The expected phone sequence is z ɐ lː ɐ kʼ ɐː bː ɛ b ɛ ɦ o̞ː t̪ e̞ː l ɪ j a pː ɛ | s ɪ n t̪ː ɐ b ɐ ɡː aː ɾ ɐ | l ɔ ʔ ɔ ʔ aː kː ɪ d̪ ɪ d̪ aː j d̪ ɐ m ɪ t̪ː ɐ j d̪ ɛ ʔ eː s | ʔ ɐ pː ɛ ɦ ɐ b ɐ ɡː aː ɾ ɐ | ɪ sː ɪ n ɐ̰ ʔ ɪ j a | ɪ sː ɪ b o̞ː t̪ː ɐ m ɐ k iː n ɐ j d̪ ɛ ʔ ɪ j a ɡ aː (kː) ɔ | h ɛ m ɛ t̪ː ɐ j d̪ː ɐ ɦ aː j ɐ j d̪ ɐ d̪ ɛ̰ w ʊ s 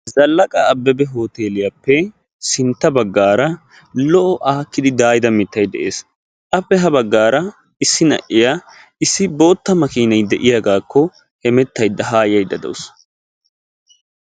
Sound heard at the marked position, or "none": kː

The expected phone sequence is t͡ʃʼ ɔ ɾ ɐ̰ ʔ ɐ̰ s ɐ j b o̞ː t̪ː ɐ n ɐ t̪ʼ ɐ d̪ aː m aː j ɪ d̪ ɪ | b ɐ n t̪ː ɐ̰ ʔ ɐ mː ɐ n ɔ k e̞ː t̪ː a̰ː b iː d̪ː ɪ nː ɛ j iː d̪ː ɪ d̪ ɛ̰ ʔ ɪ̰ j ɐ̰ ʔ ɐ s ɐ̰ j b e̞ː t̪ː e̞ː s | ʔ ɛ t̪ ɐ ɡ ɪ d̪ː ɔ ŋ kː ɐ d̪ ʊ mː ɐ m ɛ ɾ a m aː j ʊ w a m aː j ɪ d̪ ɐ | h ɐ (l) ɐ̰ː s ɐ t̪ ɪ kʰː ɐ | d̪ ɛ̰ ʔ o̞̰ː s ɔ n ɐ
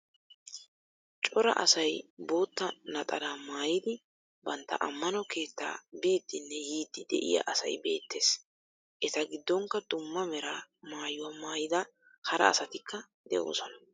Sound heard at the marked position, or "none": ɾ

